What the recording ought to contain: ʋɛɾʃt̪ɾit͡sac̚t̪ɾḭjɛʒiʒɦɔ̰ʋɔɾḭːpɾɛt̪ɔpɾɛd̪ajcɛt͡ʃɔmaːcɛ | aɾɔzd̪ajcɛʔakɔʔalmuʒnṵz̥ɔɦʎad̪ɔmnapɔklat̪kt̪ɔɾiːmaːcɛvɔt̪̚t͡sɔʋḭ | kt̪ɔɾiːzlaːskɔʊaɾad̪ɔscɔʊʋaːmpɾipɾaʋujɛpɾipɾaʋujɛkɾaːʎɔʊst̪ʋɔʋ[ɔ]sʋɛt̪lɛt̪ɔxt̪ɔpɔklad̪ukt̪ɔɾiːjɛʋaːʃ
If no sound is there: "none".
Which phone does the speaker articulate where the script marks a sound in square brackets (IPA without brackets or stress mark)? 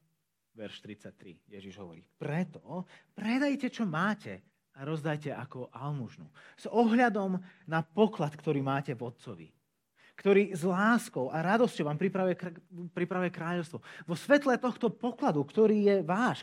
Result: ɔ